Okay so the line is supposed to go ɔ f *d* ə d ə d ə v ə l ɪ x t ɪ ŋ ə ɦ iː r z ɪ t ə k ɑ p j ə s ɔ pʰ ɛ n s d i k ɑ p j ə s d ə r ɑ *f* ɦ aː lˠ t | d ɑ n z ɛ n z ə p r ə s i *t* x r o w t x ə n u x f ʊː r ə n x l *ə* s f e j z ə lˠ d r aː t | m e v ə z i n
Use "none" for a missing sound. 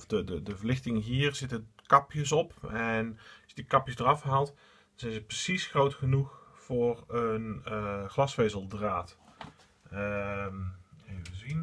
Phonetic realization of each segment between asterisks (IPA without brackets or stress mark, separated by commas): d, f, s, ɑ